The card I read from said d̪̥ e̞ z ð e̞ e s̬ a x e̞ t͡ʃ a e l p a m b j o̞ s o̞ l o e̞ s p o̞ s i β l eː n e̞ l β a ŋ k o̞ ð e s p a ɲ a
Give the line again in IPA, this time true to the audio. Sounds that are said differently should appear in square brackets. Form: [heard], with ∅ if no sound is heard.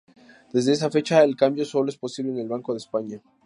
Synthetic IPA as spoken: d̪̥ e̞ z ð e̞ e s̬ a [f] e̞ t͡ʃ a e l [k] a m b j o̞ s o̞ l o e̞ s p o̞ s i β l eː n e̞ l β a ŋ k o̞ ð e s p a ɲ a